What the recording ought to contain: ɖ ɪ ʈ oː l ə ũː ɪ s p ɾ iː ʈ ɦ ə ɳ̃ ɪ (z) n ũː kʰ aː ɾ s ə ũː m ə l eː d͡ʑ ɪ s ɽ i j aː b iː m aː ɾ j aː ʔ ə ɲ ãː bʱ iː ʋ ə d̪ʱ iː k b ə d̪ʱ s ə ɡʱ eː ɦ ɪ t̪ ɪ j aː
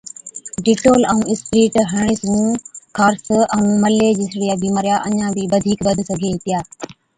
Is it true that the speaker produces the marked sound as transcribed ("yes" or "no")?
no